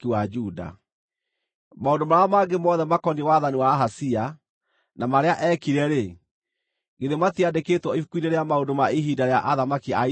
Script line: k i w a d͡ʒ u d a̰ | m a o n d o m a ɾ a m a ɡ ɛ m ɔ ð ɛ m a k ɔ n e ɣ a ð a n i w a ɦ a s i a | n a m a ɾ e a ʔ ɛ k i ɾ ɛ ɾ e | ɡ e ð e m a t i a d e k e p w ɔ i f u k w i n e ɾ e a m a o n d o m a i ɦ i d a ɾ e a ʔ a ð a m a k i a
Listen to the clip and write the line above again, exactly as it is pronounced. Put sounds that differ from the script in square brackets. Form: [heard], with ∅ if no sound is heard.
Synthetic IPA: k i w a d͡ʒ u d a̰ | m a o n d o m a ɾ a m a ɡ [e] m ɔ ð ɛ m a k ɔ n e [w] a ð a n i w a ɦ a s i a | n a m a ɾ e a ʔ ɛ k i ɾ ɛ ɾ e | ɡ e ð e m a t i a d e k e [t] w ɔ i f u k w i n e ɾ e a m a o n d o m a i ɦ i d a ɾ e a ʔ a ð a m a k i a